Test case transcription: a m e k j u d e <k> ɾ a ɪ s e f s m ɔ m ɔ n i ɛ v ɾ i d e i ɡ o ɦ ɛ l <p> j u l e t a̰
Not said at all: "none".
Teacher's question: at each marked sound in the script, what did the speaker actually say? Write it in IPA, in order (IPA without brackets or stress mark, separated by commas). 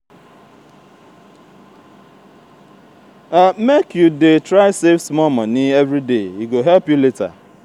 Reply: t, p